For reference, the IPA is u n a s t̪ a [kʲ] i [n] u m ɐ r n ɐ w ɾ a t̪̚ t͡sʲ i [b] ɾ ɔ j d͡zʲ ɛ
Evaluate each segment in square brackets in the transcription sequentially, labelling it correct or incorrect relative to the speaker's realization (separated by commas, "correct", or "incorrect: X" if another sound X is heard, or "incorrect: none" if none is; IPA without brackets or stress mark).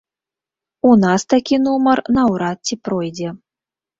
correct, correct, incorrect: p